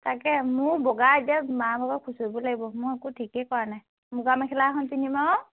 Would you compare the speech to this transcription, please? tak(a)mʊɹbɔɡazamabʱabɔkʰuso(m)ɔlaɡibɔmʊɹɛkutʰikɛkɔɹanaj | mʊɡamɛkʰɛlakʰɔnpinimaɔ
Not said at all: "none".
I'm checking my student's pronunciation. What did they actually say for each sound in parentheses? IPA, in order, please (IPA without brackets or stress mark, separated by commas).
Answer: ɛ, b